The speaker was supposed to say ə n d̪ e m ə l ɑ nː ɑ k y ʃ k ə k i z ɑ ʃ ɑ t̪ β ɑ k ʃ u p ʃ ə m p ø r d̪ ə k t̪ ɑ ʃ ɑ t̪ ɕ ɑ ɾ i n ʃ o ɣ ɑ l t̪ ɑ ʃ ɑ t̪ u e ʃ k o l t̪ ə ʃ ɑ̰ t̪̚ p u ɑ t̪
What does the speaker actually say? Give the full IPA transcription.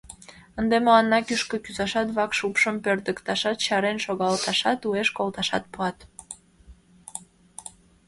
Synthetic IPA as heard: ə n d̪ e m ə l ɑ nː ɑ k y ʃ k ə k y z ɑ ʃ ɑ t̪ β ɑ k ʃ u p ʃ ə m p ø r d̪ ə k t̪ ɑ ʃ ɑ t̪ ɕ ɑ ɾ e n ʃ o ɣ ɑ l t̪ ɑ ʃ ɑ t̪ u e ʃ k o l t̪ ɑ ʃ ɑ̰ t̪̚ p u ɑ t̪